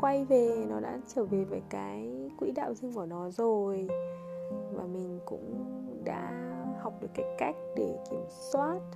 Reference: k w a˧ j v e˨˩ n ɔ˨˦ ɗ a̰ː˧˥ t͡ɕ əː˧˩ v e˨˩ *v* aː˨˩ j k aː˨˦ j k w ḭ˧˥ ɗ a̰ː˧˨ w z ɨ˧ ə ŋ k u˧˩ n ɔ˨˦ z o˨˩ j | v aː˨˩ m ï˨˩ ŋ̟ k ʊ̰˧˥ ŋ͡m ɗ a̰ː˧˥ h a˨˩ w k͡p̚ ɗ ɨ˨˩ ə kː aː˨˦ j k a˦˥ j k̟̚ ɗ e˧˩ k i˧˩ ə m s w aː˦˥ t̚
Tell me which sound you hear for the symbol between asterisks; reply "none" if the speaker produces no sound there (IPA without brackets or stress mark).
v